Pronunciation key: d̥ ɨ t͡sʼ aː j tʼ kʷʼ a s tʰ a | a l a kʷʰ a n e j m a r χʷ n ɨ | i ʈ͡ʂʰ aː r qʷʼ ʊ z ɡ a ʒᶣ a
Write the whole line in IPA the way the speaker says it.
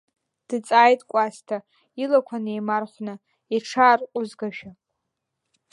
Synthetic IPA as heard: d̥ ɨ t͡sʼ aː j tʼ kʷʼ a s tʰ a | i l a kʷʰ a n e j m a r χʷ n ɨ | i ʈ͡ʂʰ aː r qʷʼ ʊ z ɡ a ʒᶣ a